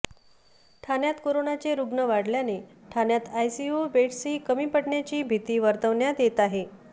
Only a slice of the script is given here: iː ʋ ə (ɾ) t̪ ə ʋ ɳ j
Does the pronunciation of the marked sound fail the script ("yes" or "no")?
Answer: no